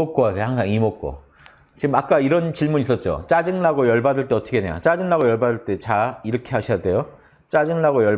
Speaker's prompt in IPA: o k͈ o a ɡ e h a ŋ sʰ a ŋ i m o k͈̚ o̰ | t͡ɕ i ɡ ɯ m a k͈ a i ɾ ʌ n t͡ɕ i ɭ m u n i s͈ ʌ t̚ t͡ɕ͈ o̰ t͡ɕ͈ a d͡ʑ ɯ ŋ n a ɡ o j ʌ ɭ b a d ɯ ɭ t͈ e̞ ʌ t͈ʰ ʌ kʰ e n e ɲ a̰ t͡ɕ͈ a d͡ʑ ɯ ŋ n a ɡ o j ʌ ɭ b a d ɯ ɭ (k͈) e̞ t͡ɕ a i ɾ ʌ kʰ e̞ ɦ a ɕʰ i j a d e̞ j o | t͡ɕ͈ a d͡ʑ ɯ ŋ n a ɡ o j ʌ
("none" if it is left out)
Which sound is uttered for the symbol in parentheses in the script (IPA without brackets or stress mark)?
t͈